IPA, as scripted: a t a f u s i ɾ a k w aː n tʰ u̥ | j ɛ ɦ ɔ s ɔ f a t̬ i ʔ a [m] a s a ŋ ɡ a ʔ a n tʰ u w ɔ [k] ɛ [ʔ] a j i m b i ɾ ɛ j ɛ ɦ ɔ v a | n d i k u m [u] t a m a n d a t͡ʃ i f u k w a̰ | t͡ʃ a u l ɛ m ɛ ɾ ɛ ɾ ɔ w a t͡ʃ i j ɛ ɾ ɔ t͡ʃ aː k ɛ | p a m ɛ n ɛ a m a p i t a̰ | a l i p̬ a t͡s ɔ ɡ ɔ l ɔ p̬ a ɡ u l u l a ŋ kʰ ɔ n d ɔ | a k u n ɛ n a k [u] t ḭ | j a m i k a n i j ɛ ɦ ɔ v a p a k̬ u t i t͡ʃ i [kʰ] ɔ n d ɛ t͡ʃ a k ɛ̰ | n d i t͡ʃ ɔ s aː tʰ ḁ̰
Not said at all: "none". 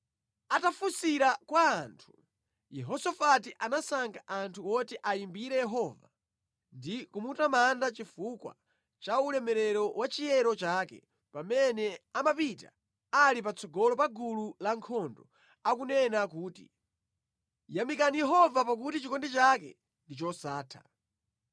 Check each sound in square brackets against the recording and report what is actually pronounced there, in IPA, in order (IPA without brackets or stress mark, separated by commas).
n, t, ʔ, u, uː, k